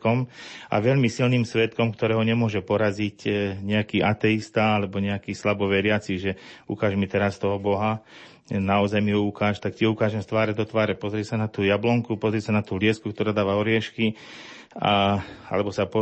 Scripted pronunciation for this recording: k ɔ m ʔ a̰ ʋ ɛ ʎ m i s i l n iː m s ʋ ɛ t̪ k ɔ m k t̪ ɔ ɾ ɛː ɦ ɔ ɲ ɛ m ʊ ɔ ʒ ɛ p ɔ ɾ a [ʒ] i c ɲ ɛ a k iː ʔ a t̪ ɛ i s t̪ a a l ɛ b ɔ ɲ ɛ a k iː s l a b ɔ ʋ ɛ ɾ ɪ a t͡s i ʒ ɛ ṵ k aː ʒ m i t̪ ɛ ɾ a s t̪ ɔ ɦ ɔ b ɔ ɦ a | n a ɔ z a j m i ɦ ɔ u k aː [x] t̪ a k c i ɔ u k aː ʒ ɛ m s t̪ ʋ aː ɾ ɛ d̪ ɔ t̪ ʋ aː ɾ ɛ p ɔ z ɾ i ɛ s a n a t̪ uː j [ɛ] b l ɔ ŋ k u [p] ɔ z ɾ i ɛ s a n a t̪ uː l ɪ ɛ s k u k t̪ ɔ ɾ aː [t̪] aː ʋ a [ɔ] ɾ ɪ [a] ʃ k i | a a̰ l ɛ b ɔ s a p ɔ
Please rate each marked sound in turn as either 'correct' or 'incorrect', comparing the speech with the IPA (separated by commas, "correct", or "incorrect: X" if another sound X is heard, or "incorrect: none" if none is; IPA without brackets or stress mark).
incorrect: z, incorrect: ʃ, incorrect: a, correct, incorrect: d̪, correct, incorrect: ɛ